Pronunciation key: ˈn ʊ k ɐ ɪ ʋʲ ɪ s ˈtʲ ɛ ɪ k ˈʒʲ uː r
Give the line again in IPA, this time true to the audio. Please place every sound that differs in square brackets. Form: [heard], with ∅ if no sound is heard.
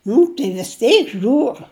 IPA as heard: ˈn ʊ [t] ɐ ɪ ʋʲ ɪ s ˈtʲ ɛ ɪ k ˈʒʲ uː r